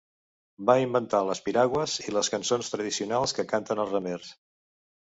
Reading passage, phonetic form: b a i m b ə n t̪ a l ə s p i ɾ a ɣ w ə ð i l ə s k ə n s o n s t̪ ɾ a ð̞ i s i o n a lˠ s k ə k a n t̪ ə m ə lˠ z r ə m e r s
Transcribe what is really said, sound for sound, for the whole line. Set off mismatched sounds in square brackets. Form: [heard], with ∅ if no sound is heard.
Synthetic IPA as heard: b a i m b ə n t̪ a l ə s p i ɾ a ɣ w ə [z] i l ə s k ə n s o n s t̪ ɾ [ə] ð̞ i s i [u] n a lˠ s k ə k a n t̪ ə [n] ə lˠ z r ə m e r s